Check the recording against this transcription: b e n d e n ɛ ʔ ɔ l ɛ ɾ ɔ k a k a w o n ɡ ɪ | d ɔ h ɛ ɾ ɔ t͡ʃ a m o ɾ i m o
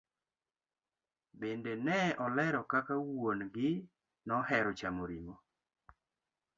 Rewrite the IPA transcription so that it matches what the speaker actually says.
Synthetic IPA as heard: b e n d e n ɛ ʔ ɔ l ɛ ɾ ɔ k a k a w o n ɡ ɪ | n ɔ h ɛ ɾ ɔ t͡ʃ a m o ɾ i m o